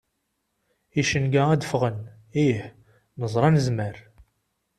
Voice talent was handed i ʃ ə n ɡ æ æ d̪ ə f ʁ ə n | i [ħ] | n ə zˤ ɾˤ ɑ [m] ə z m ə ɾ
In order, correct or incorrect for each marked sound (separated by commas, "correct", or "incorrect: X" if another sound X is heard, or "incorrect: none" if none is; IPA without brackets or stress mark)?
correct, incorrect: n